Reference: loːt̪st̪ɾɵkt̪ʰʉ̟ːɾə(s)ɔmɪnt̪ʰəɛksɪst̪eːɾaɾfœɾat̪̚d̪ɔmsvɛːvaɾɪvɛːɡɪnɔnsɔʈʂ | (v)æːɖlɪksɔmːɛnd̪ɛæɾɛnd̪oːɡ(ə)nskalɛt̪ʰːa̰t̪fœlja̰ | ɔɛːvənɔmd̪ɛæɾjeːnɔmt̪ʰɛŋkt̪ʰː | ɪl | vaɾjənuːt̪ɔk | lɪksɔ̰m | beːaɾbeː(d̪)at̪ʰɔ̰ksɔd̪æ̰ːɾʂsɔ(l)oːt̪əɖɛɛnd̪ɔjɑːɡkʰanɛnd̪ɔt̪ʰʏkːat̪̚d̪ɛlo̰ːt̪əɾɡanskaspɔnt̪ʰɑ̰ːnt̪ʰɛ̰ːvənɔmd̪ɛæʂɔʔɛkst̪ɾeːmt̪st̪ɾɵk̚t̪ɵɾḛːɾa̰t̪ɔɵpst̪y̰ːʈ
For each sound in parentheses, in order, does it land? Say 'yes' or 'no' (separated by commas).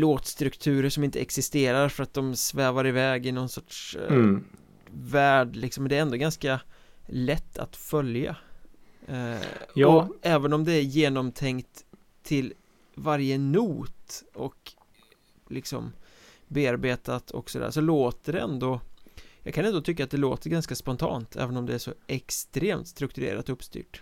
no, yes, no, no, yes